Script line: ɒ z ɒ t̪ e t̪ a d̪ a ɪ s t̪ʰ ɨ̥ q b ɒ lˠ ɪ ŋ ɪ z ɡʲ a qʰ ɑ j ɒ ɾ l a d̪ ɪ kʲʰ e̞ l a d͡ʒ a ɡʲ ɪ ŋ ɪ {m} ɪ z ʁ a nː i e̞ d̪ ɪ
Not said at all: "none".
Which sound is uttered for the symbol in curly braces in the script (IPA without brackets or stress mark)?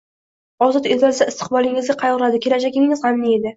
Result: ŋ